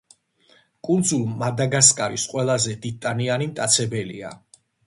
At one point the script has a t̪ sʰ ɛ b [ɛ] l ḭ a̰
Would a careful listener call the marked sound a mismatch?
no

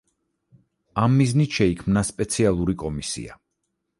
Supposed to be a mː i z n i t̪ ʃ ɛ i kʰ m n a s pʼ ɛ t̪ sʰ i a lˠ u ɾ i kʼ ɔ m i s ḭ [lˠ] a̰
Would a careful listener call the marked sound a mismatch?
yes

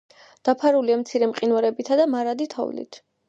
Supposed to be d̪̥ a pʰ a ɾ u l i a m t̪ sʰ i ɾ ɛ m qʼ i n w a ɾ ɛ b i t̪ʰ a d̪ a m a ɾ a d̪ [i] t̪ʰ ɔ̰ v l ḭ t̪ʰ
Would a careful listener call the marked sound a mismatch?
no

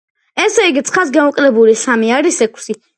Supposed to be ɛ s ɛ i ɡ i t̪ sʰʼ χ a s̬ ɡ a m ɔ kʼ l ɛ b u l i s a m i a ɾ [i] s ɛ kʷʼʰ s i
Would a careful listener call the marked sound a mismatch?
no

